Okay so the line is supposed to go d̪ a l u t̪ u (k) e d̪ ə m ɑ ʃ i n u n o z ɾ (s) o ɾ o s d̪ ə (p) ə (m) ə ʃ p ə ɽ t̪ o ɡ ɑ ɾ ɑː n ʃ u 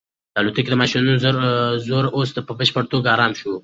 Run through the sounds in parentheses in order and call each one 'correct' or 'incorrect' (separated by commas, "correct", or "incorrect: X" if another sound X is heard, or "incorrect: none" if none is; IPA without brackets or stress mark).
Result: correct, incorrect: z, correct, incorrect: b